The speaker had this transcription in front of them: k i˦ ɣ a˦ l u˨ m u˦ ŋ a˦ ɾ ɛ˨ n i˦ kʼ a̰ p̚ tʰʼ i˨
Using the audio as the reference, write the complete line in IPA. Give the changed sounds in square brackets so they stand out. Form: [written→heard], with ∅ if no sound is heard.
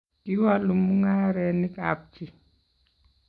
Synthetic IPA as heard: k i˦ [ɣ→w] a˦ l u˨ m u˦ ŋ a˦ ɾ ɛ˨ n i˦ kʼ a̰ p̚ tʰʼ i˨